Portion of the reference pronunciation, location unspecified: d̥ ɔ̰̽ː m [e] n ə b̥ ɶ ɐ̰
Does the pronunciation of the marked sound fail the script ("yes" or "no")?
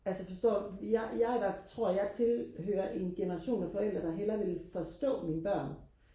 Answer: yes